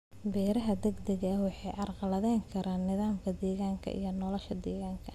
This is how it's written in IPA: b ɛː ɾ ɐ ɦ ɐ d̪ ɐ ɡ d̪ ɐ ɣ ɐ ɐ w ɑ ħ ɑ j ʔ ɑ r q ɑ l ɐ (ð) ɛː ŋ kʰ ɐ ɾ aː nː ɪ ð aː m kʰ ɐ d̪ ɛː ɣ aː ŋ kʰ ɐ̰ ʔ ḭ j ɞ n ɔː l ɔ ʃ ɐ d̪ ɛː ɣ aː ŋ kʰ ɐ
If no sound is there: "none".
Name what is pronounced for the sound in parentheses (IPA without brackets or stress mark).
ð